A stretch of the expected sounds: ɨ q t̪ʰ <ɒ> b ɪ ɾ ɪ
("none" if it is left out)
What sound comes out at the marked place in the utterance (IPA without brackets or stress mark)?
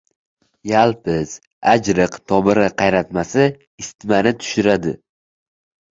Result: ɒ